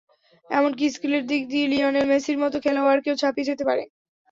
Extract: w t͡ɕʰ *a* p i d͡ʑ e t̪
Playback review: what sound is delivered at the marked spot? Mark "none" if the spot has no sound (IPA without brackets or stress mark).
a